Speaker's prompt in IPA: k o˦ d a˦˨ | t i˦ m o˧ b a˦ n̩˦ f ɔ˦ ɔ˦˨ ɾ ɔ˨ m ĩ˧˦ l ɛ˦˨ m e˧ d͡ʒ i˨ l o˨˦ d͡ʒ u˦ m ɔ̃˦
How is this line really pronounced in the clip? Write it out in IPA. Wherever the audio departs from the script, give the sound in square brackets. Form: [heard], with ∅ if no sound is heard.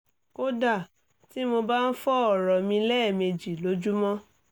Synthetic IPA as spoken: k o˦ d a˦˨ | t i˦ m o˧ b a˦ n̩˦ f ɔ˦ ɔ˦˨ ɾ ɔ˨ m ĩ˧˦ l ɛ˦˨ m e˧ d͡ʒ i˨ l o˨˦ d͡ʒ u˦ m ɔ̃˦